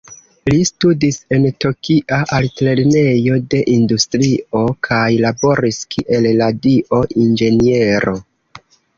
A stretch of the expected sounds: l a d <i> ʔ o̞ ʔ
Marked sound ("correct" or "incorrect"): correct